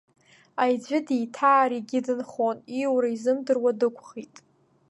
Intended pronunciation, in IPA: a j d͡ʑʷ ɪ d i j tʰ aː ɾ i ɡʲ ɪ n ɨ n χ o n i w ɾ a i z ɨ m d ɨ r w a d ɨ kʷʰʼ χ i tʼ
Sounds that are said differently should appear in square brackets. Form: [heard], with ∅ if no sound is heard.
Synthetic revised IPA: a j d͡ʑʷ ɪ d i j tʰ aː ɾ i ɡʲ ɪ [d] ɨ n χ o n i w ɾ a i z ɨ m d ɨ r w a d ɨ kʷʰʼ χ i tʼ